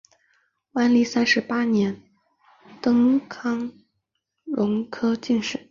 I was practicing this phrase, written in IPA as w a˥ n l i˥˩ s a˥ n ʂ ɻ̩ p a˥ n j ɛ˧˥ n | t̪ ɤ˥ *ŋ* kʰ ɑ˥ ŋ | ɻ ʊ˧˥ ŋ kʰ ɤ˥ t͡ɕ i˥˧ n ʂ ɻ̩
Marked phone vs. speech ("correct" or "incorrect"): correct